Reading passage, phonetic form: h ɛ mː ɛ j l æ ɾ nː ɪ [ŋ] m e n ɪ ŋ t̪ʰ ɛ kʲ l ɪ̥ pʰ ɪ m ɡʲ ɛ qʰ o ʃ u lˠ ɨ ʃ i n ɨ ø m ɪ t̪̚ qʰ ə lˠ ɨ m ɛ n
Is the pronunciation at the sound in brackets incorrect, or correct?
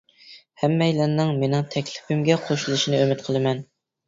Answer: correct